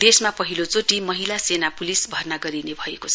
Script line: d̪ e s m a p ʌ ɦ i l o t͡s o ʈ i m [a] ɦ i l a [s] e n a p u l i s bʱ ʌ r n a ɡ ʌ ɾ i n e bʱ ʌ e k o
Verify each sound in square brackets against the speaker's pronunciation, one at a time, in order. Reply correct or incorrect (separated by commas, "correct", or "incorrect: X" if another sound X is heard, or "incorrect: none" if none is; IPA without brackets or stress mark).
incorrect: ʌ, correct